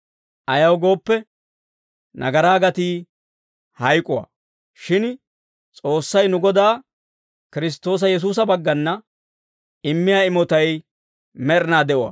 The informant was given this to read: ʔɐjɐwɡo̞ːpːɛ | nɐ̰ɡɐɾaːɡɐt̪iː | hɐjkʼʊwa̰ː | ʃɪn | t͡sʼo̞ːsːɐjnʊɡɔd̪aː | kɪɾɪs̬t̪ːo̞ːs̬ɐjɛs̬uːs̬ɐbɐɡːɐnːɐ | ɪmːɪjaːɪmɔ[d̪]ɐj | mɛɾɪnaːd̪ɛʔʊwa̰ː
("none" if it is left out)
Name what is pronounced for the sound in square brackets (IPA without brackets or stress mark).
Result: t̪